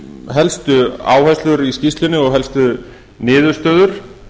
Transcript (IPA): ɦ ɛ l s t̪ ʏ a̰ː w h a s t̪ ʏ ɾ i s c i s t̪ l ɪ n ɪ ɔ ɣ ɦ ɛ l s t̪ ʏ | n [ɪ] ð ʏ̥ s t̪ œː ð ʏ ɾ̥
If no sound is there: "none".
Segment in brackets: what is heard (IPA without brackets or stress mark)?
ɪː